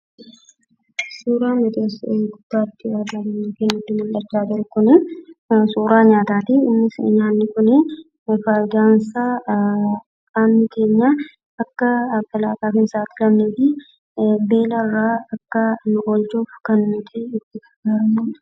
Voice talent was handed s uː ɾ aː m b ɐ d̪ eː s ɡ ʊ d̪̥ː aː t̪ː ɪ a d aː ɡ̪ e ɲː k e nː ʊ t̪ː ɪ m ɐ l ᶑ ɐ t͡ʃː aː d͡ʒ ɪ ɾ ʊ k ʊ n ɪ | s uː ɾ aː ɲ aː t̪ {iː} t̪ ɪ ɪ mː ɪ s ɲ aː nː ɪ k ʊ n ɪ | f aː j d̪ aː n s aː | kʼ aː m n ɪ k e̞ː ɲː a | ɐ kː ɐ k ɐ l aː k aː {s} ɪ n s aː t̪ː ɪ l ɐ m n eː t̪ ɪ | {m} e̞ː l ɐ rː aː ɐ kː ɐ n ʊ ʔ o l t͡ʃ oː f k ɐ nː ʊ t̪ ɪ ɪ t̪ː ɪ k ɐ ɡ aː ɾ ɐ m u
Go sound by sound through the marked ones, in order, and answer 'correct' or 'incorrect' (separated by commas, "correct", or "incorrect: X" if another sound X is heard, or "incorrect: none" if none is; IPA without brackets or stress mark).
incorrect: aː, incorrect: f, incorrect: b